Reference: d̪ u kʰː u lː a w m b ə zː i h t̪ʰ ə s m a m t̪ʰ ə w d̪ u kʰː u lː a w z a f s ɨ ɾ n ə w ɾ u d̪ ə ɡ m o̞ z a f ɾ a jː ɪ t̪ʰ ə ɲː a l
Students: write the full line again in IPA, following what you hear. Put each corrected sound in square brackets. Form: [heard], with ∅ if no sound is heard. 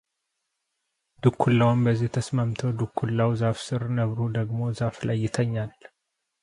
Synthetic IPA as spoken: d̪ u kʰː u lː a w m b ə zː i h t̪ʰ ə s m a m t̪ʰ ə w d̪ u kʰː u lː a w z a f s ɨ ɾ n ə [β] ɾ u d̪ ə ɡ m o̞ z a f [l] a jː ɪ t̪ʰ ə ɲː a l